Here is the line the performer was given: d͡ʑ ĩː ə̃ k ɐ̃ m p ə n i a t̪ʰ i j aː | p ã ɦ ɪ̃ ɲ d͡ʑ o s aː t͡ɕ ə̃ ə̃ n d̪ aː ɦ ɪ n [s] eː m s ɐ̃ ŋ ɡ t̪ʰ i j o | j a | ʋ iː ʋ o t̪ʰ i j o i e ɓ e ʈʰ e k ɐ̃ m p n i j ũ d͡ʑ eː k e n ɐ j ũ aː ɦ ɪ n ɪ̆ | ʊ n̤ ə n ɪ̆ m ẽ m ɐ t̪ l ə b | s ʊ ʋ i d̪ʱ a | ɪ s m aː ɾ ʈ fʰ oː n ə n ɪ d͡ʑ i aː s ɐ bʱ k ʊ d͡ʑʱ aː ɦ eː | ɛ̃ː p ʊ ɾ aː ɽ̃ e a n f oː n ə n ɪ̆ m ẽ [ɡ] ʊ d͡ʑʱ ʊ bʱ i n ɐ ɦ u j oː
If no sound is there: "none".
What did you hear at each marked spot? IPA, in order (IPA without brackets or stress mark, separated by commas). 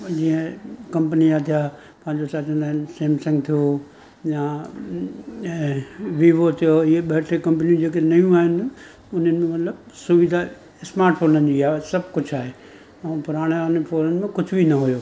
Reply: s, k